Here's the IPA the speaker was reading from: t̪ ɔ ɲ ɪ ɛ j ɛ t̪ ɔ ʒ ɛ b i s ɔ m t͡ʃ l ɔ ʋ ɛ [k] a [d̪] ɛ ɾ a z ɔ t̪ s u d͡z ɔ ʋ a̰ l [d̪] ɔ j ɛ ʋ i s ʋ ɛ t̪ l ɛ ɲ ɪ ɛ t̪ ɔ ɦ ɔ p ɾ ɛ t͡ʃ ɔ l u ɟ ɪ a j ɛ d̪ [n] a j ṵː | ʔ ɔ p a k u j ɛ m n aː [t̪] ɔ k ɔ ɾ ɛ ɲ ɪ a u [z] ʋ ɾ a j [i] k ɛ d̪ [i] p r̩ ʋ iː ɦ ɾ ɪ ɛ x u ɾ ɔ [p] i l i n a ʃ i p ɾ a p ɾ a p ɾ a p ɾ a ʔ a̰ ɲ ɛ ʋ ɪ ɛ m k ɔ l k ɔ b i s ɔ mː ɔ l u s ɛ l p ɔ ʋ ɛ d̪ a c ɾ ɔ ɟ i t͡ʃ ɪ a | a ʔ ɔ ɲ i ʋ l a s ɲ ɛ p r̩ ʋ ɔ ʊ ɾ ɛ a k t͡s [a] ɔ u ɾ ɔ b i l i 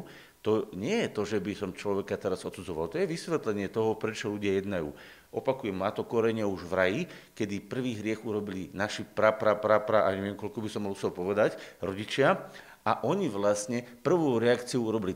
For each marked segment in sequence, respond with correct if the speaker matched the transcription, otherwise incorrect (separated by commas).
correct, incorrect, incorrect, correct, correct, incorrect, correct, correct, incorrect, incorrect